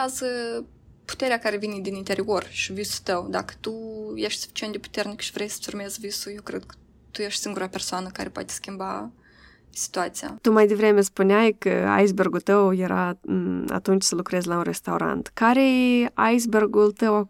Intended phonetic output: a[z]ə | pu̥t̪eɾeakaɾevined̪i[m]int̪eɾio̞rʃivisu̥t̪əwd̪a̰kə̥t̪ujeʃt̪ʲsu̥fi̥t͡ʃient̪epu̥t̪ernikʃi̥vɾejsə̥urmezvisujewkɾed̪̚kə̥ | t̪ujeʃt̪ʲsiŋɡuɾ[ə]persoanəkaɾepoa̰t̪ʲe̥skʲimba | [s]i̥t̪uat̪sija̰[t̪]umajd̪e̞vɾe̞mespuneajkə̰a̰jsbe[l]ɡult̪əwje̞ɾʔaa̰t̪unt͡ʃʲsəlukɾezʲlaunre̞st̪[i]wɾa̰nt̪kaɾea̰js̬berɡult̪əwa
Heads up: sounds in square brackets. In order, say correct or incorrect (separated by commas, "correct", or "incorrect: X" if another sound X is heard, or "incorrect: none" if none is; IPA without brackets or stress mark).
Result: correct, incorrect: n, incorrect: a, correct, correct, incorrect: r, incorrect: a